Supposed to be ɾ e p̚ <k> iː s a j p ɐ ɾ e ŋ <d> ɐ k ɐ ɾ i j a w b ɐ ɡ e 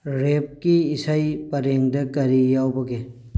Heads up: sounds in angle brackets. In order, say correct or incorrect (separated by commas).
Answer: correct, correct